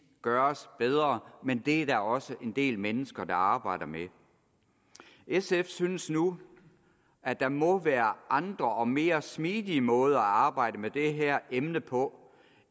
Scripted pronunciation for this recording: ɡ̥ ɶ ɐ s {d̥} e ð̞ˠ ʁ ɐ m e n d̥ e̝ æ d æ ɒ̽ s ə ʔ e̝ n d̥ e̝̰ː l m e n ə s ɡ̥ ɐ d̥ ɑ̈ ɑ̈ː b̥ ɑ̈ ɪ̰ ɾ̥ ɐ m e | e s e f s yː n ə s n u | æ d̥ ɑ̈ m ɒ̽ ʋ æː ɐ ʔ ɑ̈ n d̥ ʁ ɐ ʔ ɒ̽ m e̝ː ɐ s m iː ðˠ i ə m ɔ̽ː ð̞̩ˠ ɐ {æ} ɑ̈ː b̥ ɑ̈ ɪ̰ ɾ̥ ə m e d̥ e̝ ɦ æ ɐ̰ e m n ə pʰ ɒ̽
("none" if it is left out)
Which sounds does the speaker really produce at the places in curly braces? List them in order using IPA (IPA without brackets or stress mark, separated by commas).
b̥, æ